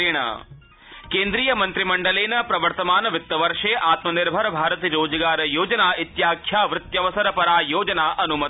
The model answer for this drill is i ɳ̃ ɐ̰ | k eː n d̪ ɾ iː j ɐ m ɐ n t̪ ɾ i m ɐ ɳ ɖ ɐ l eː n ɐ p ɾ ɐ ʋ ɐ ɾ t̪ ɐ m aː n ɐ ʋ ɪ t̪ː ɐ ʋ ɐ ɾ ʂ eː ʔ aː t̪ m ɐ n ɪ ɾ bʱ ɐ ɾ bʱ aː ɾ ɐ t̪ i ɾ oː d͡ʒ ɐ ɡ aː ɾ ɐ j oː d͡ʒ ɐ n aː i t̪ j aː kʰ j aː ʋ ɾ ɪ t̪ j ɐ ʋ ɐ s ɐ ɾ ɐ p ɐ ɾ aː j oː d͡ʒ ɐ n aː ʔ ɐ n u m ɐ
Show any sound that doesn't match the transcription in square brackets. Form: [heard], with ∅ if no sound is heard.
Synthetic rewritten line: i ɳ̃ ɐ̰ | k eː n d̪ ɾ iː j ɐ m ɐ n t̪ ɾ i m ɐ ɳ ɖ ɐ l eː n ɐ p ɾ ɐ ʋ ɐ ɾ t̪ ɐ m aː n ɐ ʋ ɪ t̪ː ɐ ʋ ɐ ɾ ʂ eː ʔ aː t̪ m ɐ n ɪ ɾ bʱ ɐ ɾ bʱ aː ɾ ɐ t̪ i ɾ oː d͡ʒ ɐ ɡ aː ɾ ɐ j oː d͡ʒ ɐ n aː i t̪ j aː kʰ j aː ʋ ɾ ɪ t̪ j ɐ ʋ ɐ s ɐ ɾ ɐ p ɐ ɾ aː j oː d͡ʒ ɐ n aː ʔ ɐ n u m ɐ

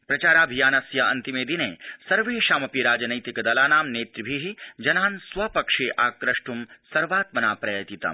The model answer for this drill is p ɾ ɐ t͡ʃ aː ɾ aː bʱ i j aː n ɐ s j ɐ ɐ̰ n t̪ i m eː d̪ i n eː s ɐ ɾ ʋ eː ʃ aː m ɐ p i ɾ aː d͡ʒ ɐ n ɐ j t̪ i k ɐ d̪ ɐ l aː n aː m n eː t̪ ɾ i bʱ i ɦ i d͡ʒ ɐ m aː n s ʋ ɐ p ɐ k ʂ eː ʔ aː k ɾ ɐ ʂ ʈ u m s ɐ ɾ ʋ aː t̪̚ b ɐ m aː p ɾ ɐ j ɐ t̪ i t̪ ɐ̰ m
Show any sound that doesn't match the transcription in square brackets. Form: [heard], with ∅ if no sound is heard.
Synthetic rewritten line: p ɾ ɐ t͡ʃ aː ɾ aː bʱ i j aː n ɐ s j ɐ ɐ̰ n t̪ i m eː d̪ i n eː s ɐ ɾ ʋ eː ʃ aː m ɐ p i ɾ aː d͡ʒ ɐ n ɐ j t̪ i k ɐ d̪ ɐ l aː n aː m n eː t̪ ɾ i bʱ i ɦ i d͡ʒ ɐ [n] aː n s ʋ ɐ p ɐ k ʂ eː ʔ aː k ɾ ɐ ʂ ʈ u m s ɐ ɾ ʋ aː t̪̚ [m] ɐ [n] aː p ɾ ɐ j ɐ t̪ i t̪ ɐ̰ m

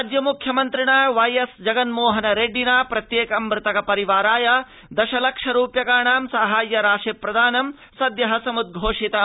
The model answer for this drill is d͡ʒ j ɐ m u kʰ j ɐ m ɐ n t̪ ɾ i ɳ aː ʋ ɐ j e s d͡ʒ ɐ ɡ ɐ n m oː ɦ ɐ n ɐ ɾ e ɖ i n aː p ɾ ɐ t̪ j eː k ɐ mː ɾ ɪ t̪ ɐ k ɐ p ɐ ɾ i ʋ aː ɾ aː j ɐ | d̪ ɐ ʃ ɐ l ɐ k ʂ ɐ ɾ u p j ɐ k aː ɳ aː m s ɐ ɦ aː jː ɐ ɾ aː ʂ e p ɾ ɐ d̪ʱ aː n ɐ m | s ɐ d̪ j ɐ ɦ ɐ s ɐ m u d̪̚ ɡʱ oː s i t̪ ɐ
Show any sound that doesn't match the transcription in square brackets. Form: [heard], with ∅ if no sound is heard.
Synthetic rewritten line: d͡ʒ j ɐ m u kʰ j ɐ m ɐ n t̪ ɾ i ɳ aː ʋ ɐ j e s d͡ʒ ɐ ɡ ɐ n m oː ɦ ɐ n ɐ ɾ e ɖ i n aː p ɾ ɐ t̪ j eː k ɐ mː ɾ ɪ t̪ ɐ k ɐ p ɐ ɾ i ʋ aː ɾ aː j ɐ | d̪ ɐ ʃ ɐ l ɐ k ʂ ɐ ɾ [uː] p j ɐ k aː ɳ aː m s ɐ ɦ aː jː ɐ ɾ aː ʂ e p ɾ ɐ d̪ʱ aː n ɐ m | s ɐ d̪ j ɐ ɦ ɐ s ɐ m u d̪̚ ɡʱ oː [ʂ] i t̪ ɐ

